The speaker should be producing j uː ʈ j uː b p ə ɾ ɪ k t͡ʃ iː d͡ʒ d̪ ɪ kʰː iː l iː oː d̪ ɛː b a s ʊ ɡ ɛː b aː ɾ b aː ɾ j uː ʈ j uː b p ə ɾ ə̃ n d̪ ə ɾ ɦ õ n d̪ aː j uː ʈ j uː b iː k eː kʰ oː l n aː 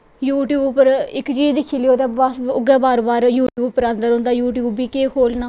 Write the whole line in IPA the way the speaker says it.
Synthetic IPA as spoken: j uː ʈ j uː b p ə ɾ ɪ k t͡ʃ iː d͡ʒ d̪ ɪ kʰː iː l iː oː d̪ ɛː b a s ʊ ɡ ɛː b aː ɾ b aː ɾ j uː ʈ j uː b p ə ɾ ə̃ n d̪ ə ɾ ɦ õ n d̪ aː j uː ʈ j uː b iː k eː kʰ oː l n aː

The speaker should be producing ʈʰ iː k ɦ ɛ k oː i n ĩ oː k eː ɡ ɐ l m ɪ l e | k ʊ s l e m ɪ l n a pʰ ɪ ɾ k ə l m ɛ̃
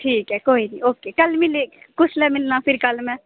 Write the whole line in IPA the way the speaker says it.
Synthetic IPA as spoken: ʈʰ iː k ɦ ɛ k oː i n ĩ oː k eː k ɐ l m ɪ l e | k ʊ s l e m ɪ l n a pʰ ɪ ɾ k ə l m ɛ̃

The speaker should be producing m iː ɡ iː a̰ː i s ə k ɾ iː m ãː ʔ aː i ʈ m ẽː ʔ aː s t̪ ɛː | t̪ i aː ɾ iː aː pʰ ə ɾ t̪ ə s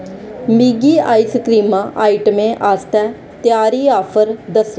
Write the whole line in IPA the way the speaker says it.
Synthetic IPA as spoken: m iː ɡ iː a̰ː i s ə k ɾ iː m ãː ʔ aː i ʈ m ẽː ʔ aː s t̪ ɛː | t̪ j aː ɾ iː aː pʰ ə ɾ d̪ ə s

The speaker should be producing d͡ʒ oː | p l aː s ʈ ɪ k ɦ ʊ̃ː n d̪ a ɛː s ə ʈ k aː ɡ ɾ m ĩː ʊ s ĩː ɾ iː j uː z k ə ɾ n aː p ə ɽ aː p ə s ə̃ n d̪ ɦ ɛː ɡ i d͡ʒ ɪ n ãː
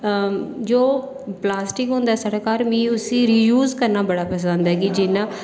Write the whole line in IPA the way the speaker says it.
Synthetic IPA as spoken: d͡ʒ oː | p l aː s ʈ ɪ k ɦ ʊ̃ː n d̪ a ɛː s ə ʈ k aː ɾ m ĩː ʊ s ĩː ɾ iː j uː z k ə ɾ n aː b ə ɽ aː p ə s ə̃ n d̪ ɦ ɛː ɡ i d͡ʒ ɪ n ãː

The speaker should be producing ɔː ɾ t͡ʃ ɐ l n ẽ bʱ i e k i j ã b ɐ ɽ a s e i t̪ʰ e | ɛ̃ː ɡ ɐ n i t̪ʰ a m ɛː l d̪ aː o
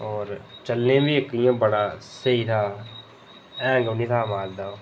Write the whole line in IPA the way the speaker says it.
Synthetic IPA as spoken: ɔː ɾ t͡ʃ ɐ l n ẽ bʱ i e k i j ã b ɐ ɽ a s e i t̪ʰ a | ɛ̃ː ɡ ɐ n i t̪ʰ a m aː l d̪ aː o

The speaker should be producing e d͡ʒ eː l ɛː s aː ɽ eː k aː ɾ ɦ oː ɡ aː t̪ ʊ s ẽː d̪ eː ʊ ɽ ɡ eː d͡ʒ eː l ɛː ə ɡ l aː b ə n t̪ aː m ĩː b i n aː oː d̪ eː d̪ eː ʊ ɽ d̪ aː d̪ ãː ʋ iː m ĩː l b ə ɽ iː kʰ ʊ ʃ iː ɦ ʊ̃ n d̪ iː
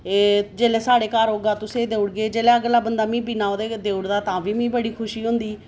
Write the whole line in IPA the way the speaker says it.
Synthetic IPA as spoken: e d͡ʒ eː l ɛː s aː ɽ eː k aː ɾ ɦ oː ɡ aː t̪ ʊ s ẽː d̪ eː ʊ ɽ ɡ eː d͡ʒ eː l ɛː ə ɡ l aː b ə n d̪ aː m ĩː b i n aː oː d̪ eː d̪ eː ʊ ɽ d̪ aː t̪ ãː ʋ iː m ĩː b ə ɽ iː kʰ ʊ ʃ iː ɦ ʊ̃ n d̪ iː

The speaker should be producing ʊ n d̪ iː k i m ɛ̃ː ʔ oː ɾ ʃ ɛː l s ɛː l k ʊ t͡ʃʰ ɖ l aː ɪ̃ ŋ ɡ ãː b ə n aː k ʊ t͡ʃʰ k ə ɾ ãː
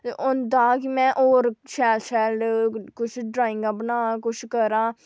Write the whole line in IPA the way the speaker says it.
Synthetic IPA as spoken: ʊ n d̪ aː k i m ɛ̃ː ʔ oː ɾ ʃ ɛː l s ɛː l k ʊ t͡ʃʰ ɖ ɾ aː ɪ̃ ŋ ɡ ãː b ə n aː k ʊ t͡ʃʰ k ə ɾ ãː

